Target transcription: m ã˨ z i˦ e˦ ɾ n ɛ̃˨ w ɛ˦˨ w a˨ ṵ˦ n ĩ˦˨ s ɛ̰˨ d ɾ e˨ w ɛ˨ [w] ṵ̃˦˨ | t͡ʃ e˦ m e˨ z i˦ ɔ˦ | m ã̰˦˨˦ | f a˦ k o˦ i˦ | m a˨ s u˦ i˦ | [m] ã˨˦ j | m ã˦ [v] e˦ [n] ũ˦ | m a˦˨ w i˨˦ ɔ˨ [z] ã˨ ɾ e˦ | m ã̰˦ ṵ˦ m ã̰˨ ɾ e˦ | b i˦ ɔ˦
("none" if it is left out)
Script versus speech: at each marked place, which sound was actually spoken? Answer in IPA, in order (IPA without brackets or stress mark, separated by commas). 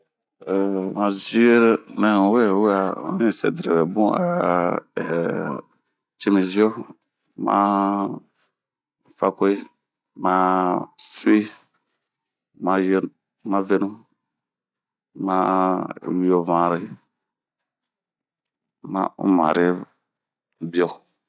b, m, v, n, v